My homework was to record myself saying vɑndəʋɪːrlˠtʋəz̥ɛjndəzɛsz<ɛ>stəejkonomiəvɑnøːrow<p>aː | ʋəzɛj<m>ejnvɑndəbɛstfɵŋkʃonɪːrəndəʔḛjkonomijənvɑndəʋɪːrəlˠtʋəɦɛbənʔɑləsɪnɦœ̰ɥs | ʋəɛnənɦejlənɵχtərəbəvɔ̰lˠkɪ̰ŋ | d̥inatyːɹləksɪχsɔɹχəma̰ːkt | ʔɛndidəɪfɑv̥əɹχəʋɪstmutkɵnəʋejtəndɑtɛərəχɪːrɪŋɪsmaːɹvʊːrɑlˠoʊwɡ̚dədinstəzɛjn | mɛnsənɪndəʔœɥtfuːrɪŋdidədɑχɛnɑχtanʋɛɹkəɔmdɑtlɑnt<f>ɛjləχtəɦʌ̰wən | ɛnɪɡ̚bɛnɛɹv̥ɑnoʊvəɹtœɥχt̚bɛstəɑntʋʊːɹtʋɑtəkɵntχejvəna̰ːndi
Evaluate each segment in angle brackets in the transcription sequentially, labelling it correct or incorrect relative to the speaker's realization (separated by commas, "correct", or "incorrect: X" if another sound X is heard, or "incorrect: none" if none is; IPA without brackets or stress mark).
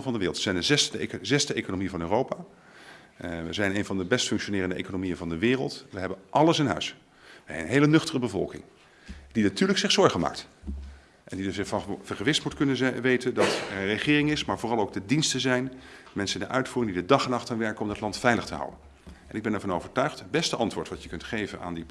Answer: correct, correct, incorrect: n, correct